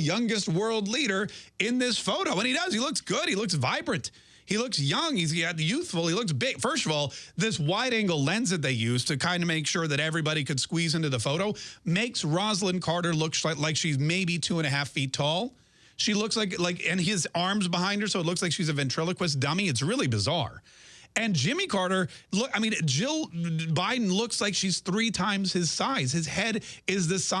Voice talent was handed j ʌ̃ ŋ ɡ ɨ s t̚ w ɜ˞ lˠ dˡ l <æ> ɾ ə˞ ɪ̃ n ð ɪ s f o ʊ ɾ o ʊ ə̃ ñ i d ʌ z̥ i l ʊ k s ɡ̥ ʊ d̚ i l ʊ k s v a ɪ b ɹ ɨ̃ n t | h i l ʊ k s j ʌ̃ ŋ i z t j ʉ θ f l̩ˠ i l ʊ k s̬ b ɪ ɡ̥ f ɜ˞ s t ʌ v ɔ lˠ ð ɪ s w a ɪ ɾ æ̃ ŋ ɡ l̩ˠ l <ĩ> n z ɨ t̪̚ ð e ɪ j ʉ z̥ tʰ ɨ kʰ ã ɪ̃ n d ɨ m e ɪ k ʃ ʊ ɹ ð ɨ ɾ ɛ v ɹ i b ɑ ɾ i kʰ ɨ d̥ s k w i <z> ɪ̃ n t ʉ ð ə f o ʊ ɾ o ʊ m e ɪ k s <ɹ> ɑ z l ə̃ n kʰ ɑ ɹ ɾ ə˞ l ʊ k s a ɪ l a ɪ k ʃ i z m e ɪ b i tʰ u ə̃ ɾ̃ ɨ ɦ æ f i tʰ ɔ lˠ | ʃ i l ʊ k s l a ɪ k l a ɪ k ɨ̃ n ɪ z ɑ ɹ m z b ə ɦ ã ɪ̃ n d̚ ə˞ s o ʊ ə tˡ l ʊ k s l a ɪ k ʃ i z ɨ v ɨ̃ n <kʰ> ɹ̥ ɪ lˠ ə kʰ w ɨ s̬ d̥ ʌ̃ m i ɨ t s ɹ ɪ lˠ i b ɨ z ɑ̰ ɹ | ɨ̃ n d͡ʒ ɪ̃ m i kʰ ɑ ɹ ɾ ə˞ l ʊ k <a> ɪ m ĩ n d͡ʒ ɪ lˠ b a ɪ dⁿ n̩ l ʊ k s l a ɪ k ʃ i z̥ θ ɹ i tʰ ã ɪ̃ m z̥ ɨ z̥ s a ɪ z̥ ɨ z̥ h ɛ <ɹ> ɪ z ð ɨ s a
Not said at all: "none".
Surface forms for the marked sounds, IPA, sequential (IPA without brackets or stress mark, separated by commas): i, ɛ̃, z, ɹ, tʰ, a, ɾ